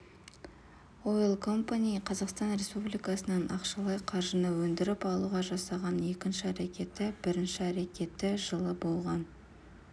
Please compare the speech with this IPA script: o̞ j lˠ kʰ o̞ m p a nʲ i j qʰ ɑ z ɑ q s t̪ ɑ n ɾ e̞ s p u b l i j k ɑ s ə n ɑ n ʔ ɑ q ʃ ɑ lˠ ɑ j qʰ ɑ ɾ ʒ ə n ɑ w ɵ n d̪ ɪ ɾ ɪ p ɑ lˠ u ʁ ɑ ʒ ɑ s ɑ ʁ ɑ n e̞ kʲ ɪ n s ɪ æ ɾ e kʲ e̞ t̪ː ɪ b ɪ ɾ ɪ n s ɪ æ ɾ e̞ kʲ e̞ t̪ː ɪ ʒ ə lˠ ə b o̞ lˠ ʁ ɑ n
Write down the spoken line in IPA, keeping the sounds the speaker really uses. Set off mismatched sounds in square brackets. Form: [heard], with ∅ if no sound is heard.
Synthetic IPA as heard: o̞ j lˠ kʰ o̞ m p a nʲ i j qʰ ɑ z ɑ q s t̪ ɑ n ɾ e̞ s p u b l i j k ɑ s ə n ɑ n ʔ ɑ q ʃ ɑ lˠ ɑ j qʰ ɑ ɾ ʒ ə n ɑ w ɵ n d̪ ɪ ɾ ɪ p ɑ lˠ u ʁ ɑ ʒ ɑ s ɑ ʁ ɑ n e̞ kʲ ɪ n [ʃ] ɪ æ ɾ e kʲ e̞ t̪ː ɪ b ɪ ɾ ɪ n [ʃ] ɪ æ ɾ e̞ kʲ e̞ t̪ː ɪ ʒ ə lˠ ə b o̞ lˠ ʁ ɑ n